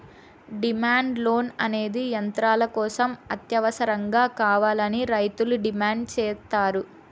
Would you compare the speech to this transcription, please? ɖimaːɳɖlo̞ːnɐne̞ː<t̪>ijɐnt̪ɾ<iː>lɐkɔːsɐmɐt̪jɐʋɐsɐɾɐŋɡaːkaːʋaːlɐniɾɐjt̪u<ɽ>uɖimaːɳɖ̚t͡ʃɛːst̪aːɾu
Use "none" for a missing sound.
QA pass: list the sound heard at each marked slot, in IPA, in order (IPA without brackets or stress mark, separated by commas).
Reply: d̪, aː, l